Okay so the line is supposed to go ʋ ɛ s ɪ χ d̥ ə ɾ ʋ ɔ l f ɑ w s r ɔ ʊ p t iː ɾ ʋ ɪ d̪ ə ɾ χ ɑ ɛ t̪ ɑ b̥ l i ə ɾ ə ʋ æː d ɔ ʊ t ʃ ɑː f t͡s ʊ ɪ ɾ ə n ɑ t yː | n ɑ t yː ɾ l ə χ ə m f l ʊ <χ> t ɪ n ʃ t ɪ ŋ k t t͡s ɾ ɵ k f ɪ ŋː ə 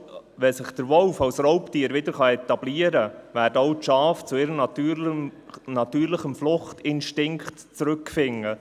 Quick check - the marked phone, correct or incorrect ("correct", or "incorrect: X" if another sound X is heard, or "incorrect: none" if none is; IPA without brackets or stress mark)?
correct